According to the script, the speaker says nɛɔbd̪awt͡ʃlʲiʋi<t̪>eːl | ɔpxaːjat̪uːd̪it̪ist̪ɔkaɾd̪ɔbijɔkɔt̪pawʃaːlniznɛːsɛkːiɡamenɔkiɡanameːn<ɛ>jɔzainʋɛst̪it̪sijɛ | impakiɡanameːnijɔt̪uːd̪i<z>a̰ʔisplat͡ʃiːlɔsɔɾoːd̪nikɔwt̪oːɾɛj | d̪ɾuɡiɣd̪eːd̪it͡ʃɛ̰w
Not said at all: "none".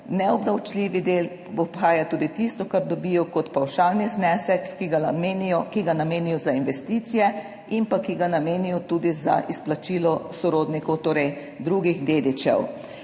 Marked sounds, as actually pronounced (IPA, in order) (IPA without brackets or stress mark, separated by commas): d̪, i, z